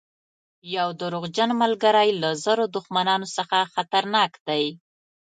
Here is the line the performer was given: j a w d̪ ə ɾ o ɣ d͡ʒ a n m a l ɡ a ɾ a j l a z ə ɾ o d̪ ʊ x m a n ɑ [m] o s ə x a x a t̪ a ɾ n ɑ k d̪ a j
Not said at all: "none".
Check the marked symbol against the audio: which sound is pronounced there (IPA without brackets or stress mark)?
n